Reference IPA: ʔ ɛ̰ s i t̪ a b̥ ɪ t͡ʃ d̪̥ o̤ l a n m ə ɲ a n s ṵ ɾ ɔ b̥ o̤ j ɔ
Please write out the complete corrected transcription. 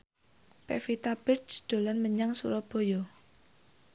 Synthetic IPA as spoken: p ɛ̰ f i t̪ a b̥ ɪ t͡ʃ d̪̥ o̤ l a n m ə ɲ a ŋ s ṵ ɾ ɔ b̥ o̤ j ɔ